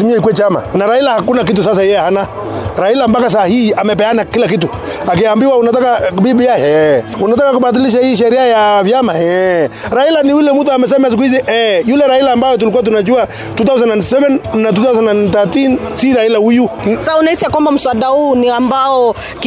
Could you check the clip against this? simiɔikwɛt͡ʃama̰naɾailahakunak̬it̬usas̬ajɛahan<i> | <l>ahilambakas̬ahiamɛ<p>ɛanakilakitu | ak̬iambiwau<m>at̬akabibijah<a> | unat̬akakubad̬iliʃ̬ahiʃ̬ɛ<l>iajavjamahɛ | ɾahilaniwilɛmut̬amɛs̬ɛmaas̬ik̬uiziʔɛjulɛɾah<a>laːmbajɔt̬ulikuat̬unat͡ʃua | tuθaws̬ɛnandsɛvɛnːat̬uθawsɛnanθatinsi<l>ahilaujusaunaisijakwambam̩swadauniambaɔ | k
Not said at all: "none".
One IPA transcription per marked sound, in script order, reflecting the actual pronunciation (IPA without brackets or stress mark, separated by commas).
a, ɾ, p, n, ɛ, ɾ, i, ɾ